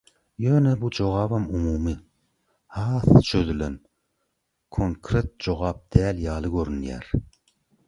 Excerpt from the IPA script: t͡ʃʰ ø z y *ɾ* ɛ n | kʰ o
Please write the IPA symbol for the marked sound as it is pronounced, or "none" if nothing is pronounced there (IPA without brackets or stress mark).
l